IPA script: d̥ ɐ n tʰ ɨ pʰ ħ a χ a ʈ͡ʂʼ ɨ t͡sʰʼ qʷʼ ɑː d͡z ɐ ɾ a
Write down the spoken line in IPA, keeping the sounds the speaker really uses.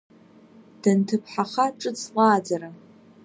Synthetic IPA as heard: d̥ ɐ n tʰ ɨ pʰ ħ a χ a ʈ͡ʂʼ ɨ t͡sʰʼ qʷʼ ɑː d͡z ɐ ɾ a